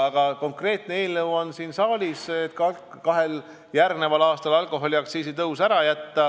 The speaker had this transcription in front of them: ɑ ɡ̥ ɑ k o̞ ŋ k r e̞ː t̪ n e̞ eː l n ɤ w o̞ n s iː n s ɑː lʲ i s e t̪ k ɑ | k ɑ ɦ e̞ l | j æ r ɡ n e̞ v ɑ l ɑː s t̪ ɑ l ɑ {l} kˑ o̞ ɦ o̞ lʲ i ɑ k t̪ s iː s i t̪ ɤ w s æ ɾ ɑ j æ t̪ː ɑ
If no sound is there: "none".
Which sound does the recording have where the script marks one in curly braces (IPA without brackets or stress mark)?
l